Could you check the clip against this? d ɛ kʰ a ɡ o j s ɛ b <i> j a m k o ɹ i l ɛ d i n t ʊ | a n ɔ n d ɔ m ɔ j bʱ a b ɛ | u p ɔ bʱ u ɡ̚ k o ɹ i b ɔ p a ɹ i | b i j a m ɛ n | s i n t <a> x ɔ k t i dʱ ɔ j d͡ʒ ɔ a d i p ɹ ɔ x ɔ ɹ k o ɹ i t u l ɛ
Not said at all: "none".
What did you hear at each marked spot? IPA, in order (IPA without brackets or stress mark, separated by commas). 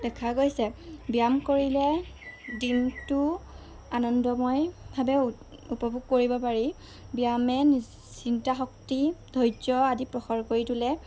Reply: i, a